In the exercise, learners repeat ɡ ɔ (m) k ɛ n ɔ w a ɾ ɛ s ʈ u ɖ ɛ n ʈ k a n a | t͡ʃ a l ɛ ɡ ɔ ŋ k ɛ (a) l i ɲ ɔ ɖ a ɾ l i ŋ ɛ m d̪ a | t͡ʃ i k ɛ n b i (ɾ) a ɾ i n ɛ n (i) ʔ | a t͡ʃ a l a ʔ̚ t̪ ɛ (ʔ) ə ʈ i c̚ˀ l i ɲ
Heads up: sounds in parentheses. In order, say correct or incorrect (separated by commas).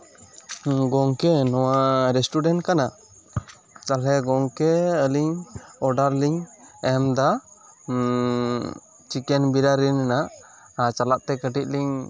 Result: incorrect, incorrect, correct, incorrect, incorrect